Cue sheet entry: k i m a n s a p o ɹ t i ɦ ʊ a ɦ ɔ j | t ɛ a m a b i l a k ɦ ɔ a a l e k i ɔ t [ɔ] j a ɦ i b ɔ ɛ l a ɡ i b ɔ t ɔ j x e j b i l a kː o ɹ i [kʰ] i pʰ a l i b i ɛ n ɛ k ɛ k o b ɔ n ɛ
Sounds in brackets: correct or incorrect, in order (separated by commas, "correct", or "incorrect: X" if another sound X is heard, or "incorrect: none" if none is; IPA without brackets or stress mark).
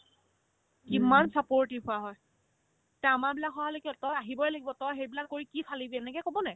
correct, incorrect: k